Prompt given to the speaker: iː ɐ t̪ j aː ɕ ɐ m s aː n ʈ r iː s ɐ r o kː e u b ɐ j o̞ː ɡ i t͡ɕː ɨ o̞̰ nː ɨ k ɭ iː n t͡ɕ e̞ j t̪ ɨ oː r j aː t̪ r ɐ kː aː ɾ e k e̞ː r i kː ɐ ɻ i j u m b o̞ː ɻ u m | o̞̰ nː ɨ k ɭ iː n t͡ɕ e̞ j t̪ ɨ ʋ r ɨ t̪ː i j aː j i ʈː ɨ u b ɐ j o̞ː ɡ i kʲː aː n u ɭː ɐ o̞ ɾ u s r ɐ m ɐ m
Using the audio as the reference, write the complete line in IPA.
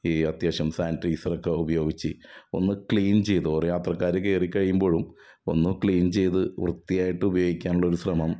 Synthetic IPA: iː ɐ t̪ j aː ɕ ɐ m s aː n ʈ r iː s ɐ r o kː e u b ɐ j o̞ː ɡ i t͡ɕː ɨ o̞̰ nː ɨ k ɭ iː n t͡ɕ e̞ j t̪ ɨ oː r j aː t̪ r ɐ kː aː ɾ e k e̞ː r i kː ɐ ɻ i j u m b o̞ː ɻ u m | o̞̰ nː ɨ k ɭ iː n t͡ɕ e̞ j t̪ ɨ ʋ r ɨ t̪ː i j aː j i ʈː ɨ u b ɐ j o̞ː ɡ i kʲː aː n u ɭː ɐ o̞ ɾ u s r ɐ m ɐ m